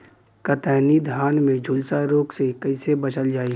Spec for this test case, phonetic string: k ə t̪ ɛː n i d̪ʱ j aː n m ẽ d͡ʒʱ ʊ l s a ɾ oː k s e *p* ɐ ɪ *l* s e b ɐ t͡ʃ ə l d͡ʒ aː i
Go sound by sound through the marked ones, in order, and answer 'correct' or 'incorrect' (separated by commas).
incorrect, incorrect